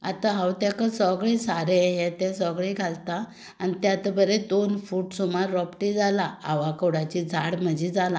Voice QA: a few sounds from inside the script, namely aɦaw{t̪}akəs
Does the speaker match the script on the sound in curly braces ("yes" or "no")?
yes